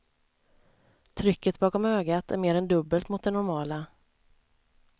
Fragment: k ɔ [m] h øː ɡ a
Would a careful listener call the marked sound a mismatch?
no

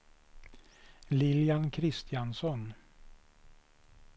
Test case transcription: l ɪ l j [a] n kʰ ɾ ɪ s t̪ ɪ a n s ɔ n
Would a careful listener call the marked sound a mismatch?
no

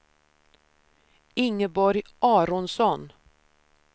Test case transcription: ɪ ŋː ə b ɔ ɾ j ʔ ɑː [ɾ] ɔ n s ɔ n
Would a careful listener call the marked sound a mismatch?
no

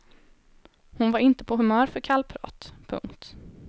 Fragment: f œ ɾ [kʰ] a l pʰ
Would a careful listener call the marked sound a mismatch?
no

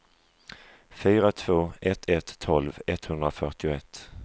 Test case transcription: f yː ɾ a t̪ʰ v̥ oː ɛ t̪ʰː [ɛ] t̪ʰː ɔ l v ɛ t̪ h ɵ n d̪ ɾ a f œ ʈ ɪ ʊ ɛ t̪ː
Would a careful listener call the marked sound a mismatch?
no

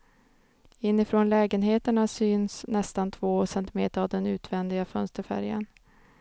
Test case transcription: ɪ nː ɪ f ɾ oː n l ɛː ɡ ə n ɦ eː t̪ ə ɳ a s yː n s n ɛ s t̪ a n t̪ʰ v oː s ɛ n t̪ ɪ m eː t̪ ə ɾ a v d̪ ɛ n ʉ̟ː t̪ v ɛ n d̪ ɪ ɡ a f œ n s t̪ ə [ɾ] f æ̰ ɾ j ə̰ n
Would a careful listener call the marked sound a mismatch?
no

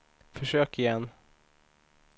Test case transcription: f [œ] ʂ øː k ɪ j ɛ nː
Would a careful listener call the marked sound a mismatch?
no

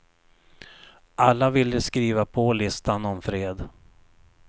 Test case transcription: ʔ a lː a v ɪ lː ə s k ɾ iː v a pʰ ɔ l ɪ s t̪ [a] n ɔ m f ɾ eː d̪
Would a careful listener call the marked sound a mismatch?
no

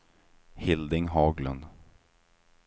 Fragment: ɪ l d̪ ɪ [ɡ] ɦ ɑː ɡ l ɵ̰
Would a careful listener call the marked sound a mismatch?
yes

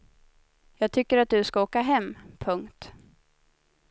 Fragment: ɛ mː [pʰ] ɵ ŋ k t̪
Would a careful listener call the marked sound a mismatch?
no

